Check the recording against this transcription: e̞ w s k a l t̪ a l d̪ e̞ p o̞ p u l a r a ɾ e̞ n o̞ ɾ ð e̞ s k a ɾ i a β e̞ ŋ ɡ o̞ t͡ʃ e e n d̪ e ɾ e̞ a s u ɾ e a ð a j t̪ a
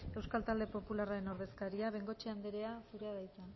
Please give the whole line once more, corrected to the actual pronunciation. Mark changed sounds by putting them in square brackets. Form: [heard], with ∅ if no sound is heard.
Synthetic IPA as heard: e̞ w s k a l t̪ a l d̪ e̞ p o̞ p u l a r a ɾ e̞ n o̞ ɾ ð e̞ s k a ɾ i a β e̞ ŋ ɡ o̞ t͡ʃ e [a] n d̪ e ɾ e̞ a s u ɾ e a ð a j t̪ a